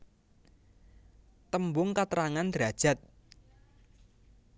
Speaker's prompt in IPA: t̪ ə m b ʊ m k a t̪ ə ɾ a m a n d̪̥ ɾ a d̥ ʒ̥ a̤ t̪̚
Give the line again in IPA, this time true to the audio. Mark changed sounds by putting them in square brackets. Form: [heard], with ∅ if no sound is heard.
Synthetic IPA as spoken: t̪ ə m b ʊ [ŋ] k a t̪ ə ɾ a [ŋ] a n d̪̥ ɾ a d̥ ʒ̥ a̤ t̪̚